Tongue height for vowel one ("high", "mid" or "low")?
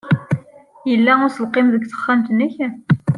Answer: mid